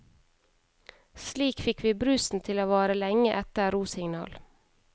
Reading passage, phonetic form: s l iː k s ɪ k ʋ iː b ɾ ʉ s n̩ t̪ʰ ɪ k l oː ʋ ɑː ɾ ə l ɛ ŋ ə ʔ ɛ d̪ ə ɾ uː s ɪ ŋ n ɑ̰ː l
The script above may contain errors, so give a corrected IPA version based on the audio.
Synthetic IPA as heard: s l iː k f ɪ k ʋ iː b ɾ ʉ s n̩ t̪ʰ ɪ l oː ʋ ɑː ɾ ə l ɛ ŋ ə ʔ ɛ t̪ ə ɾ uː s ɪ ŋ n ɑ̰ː l